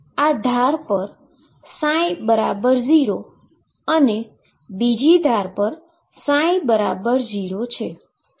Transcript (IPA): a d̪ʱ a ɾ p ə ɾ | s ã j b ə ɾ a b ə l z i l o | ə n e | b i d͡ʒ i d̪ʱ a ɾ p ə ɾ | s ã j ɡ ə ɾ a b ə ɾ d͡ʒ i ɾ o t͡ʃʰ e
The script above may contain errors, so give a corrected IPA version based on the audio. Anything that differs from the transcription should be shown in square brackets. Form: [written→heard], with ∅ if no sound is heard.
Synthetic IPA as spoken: a d̪ʱ a ɾ p ə ɾ | s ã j b ə ɾ a b ə [l→ɾ] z i [l→ɾ] o | ə n e | b i d͡ʒ i d̪ʱ a ɾ p ə ɾ | s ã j [ɡ→b] ə ɾ a b ə ɾ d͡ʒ i ɾ o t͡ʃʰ e